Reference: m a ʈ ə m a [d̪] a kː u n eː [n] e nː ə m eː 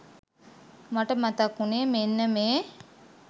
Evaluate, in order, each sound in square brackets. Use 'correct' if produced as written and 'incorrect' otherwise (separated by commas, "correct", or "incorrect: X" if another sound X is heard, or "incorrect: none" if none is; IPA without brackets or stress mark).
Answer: incorrect: t̪, incorrect: m